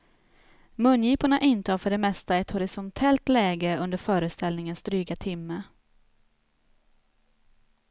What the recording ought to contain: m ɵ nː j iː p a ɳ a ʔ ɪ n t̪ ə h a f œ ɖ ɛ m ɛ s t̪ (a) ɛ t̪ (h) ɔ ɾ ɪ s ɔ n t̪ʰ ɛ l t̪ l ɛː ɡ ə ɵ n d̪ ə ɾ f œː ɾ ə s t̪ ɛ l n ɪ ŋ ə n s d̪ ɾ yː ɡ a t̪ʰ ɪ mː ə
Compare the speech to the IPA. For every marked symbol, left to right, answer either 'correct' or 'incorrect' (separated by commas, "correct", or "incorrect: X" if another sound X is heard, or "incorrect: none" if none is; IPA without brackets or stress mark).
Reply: correct, correct